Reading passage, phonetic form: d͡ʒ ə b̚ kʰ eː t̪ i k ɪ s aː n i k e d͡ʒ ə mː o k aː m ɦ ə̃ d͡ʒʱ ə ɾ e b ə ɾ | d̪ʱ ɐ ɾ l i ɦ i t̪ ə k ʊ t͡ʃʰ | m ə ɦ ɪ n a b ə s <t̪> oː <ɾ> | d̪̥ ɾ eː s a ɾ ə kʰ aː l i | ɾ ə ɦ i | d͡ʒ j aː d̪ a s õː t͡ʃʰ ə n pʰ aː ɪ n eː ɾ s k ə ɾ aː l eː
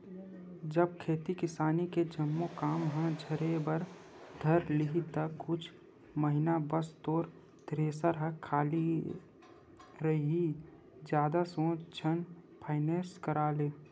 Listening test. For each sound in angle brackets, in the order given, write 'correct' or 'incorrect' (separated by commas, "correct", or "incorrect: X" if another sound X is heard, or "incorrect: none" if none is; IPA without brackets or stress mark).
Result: correct, correct